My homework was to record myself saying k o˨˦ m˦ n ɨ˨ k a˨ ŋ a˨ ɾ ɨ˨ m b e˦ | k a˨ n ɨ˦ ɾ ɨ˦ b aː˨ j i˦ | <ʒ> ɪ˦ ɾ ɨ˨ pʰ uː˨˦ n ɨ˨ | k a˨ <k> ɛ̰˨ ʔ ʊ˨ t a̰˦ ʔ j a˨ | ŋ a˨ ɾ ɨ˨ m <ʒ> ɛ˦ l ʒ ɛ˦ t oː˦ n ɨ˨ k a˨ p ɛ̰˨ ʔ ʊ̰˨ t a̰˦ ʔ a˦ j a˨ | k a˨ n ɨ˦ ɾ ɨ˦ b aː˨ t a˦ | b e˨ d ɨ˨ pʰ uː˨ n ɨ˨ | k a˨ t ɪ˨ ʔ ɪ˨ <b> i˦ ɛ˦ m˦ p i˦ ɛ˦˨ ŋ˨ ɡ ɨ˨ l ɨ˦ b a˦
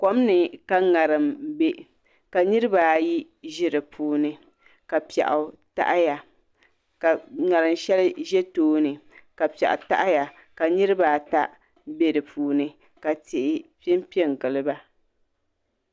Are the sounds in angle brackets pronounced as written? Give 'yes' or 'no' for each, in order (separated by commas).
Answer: yes, no, no, no